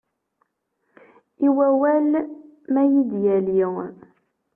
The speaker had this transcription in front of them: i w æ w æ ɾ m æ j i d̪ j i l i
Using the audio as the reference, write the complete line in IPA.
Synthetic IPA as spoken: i w æ w æ l m æ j i d̪ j æ l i